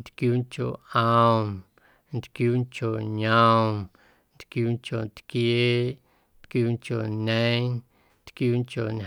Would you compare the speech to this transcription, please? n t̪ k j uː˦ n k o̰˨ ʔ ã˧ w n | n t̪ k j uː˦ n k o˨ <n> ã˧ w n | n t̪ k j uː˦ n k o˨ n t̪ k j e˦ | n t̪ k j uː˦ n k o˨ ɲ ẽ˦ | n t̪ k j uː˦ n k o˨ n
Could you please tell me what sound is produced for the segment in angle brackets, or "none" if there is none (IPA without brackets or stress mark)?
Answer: ɲ